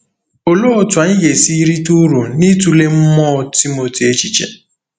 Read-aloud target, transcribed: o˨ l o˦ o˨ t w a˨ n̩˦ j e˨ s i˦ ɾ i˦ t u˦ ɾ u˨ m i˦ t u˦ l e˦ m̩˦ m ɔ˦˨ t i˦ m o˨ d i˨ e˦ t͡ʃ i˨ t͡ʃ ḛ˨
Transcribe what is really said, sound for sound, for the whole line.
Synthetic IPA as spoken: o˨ l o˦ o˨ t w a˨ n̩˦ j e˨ s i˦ ɾ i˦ t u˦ ɾ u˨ n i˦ t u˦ l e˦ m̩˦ m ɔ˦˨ t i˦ m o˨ t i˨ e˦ t͡ʃ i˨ t͡ʃ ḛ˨

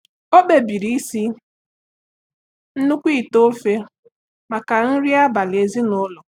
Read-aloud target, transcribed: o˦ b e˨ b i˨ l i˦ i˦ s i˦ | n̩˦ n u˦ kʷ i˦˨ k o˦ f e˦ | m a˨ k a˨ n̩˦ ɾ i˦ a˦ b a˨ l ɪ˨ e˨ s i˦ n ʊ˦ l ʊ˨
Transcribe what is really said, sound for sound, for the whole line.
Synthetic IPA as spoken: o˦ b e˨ b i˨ ɾ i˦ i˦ s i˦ | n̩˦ n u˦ kʷ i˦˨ t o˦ f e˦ | m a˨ k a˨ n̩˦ ɾ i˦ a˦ b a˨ l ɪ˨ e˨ z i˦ n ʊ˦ l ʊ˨

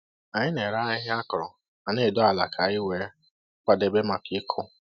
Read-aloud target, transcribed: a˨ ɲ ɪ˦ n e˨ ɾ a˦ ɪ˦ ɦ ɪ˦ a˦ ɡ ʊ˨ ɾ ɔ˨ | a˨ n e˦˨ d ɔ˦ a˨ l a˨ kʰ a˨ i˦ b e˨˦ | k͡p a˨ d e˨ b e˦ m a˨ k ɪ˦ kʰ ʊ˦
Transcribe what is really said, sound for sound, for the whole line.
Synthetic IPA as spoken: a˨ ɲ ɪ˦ n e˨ ɾ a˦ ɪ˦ ɦ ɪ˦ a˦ k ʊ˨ ɾ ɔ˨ | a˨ n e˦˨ d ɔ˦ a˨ l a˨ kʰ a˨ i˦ w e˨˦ | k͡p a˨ d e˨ b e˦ m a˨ k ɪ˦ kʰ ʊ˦

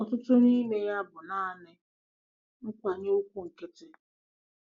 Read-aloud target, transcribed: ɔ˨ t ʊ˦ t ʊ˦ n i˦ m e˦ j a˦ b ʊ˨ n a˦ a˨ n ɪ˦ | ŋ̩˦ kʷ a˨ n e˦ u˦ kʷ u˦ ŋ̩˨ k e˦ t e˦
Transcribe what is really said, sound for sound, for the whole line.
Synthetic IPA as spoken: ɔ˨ t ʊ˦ t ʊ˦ n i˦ m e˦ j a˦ b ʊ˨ n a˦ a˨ n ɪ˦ | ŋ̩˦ kʷ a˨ ɲ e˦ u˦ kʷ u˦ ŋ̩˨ k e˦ t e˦

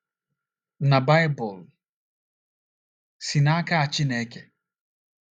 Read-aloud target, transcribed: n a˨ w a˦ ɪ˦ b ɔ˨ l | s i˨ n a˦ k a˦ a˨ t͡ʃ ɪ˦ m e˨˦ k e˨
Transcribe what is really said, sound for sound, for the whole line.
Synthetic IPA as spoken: n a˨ b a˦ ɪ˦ b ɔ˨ l | s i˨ n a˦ k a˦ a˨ t͡ʃ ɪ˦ n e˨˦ k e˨

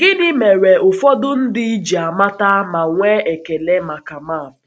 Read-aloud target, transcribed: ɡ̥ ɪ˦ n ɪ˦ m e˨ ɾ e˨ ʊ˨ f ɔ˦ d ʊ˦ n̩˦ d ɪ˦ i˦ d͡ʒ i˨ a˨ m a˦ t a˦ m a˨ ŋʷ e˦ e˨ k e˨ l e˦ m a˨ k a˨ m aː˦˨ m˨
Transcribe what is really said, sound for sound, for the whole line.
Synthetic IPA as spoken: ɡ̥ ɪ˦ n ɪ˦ m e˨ ɾ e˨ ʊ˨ f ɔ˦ d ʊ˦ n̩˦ d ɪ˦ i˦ d͡ʒ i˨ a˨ m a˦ t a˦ m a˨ ŋʷ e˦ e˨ k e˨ l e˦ m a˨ k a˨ m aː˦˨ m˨

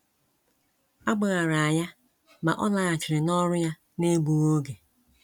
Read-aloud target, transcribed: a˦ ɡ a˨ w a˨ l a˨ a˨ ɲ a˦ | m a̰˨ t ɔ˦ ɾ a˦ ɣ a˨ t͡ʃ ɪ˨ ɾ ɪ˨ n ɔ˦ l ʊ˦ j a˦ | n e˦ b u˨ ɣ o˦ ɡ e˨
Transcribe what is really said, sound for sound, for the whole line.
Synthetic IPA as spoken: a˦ ɡ͡b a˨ ɣ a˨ ɾ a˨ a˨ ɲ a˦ | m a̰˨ ʔ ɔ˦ l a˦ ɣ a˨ t͡ʃ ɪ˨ ɾ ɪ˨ n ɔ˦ ɾ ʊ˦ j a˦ | n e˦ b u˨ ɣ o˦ ɡ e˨

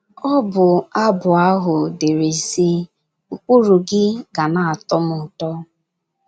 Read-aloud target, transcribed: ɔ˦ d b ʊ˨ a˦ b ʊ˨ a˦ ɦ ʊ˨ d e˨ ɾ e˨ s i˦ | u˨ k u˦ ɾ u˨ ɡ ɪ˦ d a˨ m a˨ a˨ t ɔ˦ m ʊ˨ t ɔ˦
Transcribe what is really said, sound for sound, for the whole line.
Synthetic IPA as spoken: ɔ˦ b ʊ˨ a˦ b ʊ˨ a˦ ɦ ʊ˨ d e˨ ɾ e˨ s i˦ | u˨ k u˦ ɾ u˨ ɡ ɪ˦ ɡ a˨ n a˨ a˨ t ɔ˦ m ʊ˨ t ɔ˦

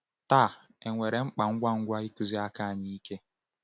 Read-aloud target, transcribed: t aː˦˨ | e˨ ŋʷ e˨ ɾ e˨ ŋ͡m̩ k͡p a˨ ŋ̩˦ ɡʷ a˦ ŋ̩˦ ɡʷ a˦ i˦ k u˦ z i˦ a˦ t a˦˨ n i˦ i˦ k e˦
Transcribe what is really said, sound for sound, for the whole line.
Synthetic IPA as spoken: t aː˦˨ | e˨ ŋʷ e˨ ɾ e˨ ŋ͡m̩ k͡p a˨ ŋ̩˦ ɡʷ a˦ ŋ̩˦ ɡʷ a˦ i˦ k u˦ z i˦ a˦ k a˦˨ ɲ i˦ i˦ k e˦

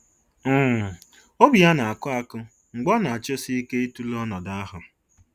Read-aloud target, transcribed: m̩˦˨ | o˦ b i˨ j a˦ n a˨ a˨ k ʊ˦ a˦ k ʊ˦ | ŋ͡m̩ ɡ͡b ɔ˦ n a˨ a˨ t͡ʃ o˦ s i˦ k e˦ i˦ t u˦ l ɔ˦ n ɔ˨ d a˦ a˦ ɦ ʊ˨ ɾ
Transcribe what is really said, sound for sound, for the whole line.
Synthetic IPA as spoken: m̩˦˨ | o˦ b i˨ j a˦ n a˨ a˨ k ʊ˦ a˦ k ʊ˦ | ŋ͡m̩ ɡ͡b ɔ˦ n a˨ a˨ t͡ʃ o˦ s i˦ k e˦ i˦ t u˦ l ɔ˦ n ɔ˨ d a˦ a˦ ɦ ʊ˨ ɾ

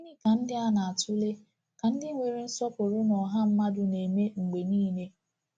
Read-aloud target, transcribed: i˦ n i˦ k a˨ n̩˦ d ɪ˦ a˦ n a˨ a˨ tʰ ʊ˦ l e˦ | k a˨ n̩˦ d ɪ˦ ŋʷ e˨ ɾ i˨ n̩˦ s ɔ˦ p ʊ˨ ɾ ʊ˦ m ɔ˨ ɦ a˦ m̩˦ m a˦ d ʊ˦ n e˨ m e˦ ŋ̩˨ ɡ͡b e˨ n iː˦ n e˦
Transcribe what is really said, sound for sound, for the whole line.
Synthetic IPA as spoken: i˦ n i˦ k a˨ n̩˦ d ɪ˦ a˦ n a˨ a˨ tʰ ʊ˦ l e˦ | k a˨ n̩˦ d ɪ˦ ŋʷ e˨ ɾ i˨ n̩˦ s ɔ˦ p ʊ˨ ɾ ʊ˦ n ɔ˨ ɦ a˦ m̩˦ m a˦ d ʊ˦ n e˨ m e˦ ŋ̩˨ ɡ͡b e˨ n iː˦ n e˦

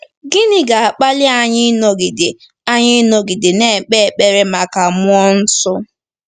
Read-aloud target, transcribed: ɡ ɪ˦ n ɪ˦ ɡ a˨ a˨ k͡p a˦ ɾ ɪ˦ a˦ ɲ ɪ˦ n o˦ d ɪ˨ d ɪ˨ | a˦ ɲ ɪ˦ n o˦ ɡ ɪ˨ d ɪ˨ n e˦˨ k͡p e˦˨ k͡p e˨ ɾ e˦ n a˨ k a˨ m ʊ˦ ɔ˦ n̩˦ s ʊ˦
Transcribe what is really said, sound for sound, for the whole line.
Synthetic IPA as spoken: ɡ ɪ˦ n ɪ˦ ɡ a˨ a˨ k͡p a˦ l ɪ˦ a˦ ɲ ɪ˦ n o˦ ɡ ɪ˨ d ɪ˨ | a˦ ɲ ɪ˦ n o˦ ɡ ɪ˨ d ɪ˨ n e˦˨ k͡p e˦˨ k͡p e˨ ɾ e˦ m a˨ k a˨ m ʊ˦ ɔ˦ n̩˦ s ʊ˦

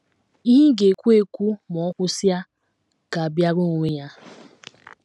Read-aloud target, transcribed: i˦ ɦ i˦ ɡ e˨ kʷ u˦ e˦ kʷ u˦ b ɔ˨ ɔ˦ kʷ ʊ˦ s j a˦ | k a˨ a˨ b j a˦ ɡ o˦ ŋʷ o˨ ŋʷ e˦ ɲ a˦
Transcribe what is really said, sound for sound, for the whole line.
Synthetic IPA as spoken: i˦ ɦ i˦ ɡ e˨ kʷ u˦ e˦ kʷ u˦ m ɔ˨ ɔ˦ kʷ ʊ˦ s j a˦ | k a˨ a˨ b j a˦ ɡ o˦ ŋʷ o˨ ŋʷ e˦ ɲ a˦

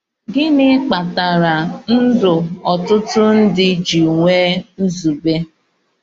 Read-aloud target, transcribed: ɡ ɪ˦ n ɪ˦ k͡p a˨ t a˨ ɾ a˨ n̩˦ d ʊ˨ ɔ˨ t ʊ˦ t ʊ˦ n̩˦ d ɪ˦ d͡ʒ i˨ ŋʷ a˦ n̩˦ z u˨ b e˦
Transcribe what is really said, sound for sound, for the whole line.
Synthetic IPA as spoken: ɡ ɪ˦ n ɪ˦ k͡p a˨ t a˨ ɾ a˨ n̩˦ d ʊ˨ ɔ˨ t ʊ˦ t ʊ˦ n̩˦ d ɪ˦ d͡ʒ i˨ ŋʷ e˦ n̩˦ z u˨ b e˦

